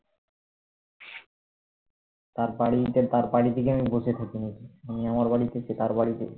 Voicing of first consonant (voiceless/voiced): voiceless